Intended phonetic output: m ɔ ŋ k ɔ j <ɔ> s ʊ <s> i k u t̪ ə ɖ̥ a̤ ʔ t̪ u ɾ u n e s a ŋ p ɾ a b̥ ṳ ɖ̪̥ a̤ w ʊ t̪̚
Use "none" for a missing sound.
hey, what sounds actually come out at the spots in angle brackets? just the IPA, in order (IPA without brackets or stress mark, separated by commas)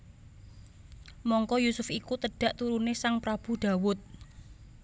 u, f